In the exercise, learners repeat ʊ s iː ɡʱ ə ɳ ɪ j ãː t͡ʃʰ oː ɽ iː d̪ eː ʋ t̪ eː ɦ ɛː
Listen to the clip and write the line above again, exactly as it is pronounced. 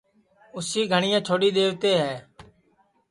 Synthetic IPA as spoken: ʊ s iː ɡʱ ə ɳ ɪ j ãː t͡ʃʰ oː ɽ iː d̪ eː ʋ t̪ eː ɦ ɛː